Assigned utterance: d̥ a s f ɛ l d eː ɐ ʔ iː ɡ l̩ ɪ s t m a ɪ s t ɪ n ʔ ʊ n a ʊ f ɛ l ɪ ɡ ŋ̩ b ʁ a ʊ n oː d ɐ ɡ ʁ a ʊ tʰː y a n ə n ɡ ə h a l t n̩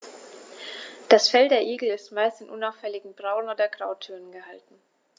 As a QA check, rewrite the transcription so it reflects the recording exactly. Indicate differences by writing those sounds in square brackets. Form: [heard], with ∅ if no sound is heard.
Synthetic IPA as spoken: d̥ a s f ɛ l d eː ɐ ʔ iː ɡ l̩ ɪ s t m a ɪ s t ɪ n ʔ ʊ n a ʊ f ɛ l ɪ ɡ ŋ̩ b ʁ a ʊ n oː d ɐ ɡ ʁ a ʊ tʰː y [ɐ] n ə n ɡ ə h a l t n̩